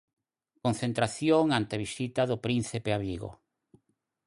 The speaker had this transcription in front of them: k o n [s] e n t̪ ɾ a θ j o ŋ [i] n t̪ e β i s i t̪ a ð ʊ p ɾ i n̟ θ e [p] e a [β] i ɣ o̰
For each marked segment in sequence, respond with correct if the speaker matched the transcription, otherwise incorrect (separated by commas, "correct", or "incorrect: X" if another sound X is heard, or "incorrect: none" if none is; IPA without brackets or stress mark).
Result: incorrect: θ, incorrect: a, correct, correct